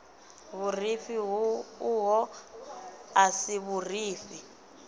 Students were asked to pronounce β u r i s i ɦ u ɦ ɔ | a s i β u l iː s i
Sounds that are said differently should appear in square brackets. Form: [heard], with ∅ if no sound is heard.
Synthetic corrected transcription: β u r i [f] i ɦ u ɦ ɔ | a s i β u [r] iː [f] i